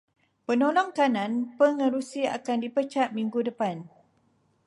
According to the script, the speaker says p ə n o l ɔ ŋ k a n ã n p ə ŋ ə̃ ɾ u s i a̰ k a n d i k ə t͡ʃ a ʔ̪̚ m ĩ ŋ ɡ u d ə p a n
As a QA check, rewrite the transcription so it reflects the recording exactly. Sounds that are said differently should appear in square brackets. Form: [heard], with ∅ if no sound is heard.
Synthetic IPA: p ə n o l ɔ ŋ k a n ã n p ə ŋ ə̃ ɾ u s i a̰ k a n d i [p] ə t͡ʃ a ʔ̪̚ m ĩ ŋ ɡ u d ə p a n